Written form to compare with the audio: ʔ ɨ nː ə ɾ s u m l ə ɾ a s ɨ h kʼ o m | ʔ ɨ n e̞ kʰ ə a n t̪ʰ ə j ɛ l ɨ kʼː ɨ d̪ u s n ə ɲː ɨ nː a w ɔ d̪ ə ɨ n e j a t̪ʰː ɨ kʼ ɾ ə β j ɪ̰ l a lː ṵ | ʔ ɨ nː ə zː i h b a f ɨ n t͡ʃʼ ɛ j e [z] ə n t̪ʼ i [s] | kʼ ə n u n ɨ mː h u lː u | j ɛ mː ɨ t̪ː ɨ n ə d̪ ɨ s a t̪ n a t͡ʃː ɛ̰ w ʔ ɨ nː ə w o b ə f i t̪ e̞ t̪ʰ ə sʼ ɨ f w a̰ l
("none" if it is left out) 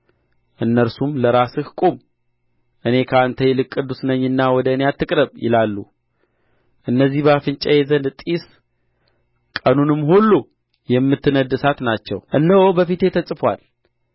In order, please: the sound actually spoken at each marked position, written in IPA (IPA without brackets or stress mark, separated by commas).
z, s